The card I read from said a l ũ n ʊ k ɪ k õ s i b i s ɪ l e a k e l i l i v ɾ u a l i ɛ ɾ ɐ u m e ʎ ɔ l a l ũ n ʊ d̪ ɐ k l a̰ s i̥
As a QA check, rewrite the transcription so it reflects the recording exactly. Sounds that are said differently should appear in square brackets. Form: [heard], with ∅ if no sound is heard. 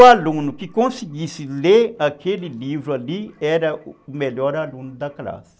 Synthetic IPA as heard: a l ũ n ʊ k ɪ k õ s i [ɡ] i s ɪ l e a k e l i l i v ɾ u a l i ɛ ɾ ɐ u m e ʎ ɔ [ɾ] a l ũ n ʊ d̪ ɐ k l a̰ s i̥